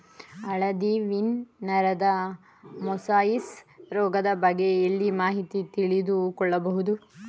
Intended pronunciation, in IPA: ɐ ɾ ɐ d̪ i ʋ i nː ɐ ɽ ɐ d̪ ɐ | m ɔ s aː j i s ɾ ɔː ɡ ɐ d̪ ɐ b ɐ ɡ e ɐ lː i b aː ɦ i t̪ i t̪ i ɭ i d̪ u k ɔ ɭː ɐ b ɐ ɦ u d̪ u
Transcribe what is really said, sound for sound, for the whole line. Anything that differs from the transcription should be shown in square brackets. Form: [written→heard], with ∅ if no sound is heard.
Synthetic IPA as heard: ɐ [ɾ→ɭ] ɐ d̪ i ʋ i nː ɐ [ɽ→ɾ] ɐ d̪ ɐ | m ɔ s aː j i s ɾ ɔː ɡ ɐ d̪ ɐ b ɐ ɡ e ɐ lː i [b→m] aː ɦ i t̪ i t̪ i ɭ i d̪ u k ɔ ɭː ɐ b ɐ ɦ u d̪ u